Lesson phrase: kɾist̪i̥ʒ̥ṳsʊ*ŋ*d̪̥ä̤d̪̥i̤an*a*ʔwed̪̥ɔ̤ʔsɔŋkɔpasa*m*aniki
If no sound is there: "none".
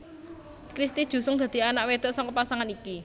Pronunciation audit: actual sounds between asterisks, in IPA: ŋ, a, ŋ

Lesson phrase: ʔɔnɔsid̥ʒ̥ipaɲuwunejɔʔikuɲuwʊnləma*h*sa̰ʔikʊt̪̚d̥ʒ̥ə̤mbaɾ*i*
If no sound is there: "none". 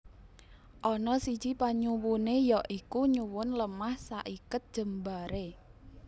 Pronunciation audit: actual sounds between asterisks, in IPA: h, e

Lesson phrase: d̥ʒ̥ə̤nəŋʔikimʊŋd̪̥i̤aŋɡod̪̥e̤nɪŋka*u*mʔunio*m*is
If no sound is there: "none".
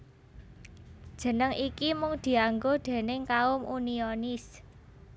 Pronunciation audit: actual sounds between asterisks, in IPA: ʊ, n

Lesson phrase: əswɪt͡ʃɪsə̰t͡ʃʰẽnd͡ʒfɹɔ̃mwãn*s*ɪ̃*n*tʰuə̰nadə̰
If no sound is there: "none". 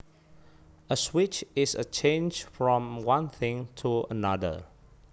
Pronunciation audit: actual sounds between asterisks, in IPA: θ, ŋ

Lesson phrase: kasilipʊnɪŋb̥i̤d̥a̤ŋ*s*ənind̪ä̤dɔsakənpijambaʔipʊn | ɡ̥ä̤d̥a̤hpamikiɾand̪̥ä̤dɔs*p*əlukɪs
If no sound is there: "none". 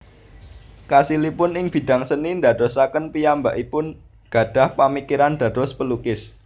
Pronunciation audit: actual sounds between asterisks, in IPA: s, p

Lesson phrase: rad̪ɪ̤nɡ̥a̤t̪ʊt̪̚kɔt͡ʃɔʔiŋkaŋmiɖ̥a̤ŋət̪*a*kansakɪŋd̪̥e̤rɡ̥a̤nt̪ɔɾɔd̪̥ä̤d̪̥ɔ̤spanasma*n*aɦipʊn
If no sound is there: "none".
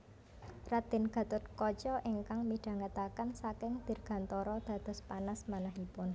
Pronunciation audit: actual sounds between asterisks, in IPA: a, n

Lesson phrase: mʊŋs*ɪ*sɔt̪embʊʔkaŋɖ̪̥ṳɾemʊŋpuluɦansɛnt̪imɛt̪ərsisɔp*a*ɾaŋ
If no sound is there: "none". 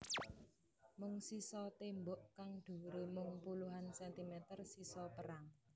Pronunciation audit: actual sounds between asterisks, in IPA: i, ə

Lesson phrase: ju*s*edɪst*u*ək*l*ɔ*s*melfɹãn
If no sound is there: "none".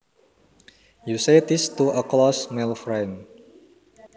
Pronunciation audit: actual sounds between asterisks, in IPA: s, u, l, s

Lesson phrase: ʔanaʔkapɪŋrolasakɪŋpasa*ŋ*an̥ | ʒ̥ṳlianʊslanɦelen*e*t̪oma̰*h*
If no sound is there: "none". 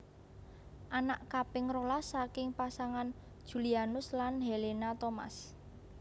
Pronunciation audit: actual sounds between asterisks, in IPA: ŋ, a, s

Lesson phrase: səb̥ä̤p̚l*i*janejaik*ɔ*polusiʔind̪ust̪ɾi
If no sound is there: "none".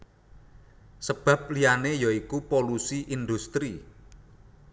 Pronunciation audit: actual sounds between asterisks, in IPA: i, u

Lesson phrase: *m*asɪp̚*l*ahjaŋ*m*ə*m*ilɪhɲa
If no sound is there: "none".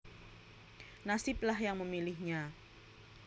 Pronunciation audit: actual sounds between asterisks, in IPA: n, l, m, m

